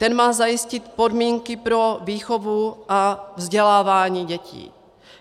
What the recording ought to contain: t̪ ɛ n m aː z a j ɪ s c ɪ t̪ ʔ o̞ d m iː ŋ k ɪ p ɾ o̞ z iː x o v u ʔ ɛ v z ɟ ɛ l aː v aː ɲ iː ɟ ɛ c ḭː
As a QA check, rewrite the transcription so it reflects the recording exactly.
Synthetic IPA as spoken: t̪ ɛ n m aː z a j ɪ s c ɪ t̪ p o̞ d m iː ŋ k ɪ p ɾ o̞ v iː x o v u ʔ a v z ɟ ɛ l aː v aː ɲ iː ɟ ɛ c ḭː